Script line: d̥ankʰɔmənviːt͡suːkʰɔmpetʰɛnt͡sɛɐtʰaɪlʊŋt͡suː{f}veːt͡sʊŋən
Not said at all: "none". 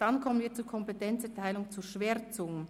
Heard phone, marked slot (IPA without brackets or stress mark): ʃ